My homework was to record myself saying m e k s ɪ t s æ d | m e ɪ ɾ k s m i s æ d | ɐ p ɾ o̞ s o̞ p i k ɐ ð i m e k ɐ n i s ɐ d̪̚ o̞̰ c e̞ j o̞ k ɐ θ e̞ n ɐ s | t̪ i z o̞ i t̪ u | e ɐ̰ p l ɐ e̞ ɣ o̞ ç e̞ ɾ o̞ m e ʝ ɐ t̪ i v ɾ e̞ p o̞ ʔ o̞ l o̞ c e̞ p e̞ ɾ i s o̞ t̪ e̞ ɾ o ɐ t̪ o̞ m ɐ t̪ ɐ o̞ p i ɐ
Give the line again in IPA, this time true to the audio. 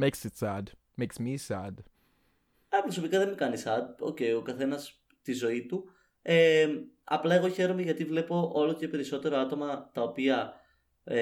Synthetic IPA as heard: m e k s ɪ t s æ d | m e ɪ k s m i s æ d | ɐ p ɾ o̞ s o̞ p i k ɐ ð e m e k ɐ n i s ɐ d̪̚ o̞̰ c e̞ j o̞ k ɐ θ e̞ n ɐ s | t̪ i z o̞ i t̪ u | e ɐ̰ p l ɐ e̞ ɣ o̞ ç e̞ ɾ o̞ m e ʝ ɐ t̪ i v l e̞ p o̞ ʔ o̞ l o̞ c e̞ p e̞ ɾ i s o̞ t̪ e̞ ɾ o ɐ t̪ o̞ m ɐ t̪ ɐ o̞ p i ɐ